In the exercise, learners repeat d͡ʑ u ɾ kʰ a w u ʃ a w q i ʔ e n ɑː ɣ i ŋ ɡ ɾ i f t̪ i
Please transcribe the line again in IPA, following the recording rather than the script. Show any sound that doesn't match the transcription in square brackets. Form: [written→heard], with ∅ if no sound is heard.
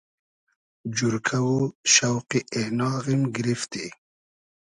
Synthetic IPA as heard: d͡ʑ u ɾ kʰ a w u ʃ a w q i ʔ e n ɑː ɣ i [ŋ→m] ɡ ɾ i f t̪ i